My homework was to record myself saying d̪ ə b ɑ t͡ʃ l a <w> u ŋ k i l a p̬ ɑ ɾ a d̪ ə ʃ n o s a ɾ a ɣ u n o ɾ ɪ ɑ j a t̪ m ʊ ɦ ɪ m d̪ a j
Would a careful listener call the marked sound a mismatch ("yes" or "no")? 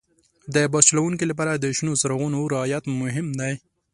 no